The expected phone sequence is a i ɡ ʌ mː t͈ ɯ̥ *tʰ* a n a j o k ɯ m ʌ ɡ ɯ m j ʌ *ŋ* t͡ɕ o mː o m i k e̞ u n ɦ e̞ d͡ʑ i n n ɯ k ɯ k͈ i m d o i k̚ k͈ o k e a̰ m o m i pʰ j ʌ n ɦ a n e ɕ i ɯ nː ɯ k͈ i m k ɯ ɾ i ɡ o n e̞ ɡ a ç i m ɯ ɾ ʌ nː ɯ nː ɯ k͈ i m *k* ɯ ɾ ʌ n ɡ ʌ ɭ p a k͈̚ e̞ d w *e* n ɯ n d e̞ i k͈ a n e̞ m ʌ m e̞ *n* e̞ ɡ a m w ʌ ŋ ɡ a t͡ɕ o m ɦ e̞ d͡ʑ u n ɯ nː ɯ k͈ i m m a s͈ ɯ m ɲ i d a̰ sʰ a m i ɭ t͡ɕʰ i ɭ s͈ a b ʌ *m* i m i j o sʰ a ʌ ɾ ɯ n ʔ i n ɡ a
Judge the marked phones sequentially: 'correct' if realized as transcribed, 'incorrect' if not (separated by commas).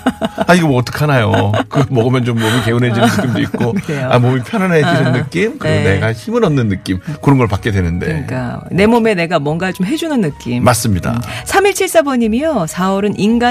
incorrect, incorrect, correct, correct, correct, incorrect